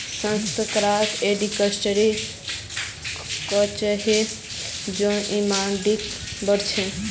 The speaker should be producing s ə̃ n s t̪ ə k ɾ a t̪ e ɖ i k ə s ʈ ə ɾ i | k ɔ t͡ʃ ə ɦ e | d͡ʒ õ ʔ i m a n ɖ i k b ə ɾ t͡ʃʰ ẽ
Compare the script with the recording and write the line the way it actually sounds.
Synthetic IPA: s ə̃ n s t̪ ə k ɾ a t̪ e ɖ i k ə s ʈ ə ɾ i | k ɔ t͡ʃ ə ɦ e | d͡ʒ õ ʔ i m a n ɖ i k b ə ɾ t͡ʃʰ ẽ